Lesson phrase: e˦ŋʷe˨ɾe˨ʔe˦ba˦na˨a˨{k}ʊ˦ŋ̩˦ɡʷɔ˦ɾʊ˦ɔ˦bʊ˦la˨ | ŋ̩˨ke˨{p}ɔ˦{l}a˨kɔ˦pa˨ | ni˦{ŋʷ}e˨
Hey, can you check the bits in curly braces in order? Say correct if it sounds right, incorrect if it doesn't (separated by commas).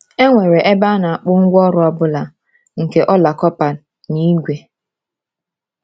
incorrect, incorrect, correct, incorrect